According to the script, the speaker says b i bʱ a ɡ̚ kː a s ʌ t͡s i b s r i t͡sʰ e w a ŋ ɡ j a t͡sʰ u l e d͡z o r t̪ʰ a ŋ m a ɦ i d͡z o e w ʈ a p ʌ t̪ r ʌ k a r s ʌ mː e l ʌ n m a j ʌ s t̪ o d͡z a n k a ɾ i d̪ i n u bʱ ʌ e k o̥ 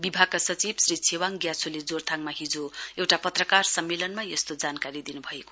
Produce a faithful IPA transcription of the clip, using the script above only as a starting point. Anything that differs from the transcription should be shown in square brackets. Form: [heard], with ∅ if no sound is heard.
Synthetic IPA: b i bʱ a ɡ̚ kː a s ʌ t͡s i b s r i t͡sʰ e w a ŋ ɡ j a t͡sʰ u l e d͡z o r t̪ʰ a ŋ m a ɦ i d͡z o e w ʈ a p ʌ t̪ r ʌ k a r s ʌ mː e l ʌ n m a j ʌ s t̪ o d͡z a n k a ɾ i d̪ i n u bʱ ʌ e k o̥